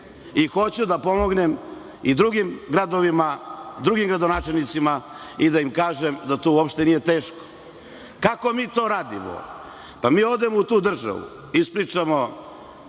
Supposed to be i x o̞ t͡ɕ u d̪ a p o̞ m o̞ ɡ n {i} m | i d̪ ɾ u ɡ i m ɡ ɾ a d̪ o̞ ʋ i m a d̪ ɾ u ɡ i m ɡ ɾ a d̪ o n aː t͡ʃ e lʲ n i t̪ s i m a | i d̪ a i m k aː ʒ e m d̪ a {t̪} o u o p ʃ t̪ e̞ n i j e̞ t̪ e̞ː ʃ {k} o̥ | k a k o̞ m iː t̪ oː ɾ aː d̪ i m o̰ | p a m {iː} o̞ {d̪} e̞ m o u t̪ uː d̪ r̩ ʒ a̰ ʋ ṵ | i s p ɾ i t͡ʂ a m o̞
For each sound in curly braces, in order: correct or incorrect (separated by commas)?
incorrect, correct, correct, correct, correct